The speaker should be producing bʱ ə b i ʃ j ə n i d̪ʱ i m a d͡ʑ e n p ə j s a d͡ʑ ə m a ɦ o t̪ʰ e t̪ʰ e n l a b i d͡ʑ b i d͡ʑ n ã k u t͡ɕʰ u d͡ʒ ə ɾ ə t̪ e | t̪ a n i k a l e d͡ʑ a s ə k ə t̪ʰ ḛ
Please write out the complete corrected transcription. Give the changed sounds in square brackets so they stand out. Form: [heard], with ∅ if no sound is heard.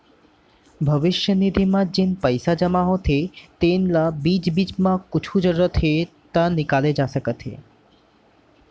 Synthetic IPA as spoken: bʱ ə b i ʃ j ə n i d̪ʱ i m a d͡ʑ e n p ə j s a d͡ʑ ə m a ɦ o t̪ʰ e [t̪] e n l a b i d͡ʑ b i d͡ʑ [m] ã k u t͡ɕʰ u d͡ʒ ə ɾ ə [t̪ʰ] e | t̪ a n i k a l e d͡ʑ a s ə k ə t̪ʰ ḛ